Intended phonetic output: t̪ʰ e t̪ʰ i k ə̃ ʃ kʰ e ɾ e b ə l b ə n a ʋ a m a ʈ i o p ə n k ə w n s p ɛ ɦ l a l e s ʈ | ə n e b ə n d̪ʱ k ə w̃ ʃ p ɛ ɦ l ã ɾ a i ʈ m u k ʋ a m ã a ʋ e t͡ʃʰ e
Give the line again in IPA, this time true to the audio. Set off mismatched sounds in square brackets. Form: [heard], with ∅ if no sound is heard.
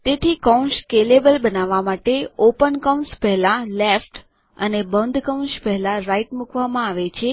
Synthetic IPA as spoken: [t̪] e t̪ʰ i k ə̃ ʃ [k] e [l] e b ə l b ə n a ʋ a m a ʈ [e] o p ə n k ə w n s p ɛ ɦ l a l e [f] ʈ | ə n e b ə n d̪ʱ k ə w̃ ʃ p ɛ ɦ l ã ɾ a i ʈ m u k ʋ a m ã a ʋ e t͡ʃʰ e